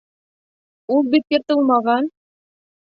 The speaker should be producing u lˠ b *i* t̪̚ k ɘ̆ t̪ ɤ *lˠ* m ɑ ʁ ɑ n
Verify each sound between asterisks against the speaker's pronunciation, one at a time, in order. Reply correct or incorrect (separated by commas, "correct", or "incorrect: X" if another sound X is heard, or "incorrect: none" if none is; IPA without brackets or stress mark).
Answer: correct, correct